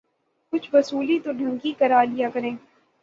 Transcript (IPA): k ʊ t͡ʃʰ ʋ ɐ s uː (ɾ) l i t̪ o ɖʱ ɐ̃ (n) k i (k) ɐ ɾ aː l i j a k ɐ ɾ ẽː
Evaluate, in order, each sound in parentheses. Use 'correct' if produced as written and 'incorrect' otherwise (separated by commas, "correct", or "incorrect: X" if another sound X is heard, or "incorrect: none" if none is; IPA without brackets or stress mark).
incorrect: none, incorrect: ŋ, correct